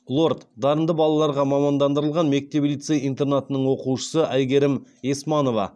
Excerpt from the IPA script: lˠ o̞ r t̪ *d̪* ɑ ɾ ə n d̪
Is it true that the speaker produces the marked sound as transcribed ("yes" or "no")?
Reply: yes